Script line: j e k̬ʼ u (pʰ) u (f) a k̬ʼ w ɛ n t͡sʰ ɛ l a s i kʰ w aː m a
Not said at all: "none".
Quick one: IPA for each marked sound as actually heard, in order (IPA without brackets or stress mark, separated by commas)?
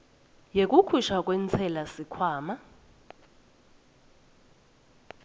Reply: kʰ, ʃ